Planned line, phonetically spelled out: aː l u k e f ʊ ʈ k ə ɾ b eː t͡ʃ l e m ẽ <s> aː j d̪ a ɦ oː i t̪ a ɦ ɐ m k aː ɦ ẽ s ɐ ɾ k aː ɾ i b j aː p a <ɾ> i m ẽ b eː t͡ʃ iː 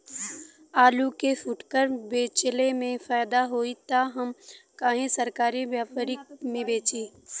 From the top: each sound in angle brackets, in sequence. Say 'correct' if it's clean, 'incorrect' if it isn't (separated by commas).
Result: incorrect, correct